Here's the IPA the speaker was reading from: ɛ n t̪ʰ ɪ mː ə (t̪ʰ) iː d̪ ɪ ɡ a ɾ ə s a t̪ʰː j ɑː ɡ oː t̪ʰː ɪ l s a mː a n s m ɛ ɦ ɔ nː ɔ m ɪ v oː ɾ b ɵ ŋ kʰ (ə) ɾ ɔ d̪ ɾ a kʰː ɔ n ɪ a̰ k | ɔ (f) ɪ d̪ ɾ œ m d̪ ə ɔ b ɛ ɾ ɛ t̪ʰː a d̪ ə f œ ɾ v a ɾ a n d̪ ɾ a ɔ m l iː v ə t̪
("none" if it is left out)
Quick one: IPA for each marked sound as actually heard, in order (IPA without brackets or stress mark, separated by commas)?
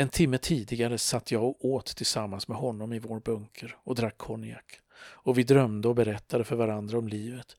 t̪ʰ, ə, v